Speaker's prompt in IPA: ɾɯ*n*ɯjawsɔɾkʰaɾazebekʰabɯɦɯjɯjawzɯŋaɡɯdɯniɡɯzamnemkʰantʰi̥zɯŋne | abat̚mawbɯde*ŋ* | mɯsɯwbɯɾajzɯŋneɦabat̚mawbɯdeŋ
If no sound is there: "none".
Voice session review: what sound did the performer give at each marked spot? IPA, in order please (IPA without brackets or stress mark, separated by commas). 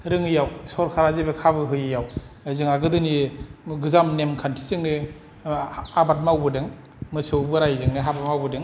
ŋ, ŋ